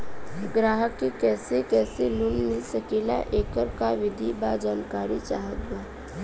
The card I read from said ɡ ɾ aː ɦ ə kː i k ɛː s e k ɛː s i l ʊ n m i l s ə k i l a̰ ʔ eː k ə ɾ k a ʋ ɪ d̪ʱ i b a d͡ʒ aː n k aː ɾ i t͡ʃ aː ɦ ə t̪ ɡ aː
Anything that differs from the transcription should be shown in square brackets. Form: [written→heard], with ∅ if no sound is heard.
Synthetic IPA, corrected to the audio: ɡ ɾ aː ɦ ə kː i k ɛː s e k ɛː s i l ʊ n m [i→ɪ] l s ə k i l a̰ ʔ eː k ə ɾ k a ʋ ɪ d̪ʱ i b a d͡ʒ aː n k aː ɾ i t͡ʃ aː ɦ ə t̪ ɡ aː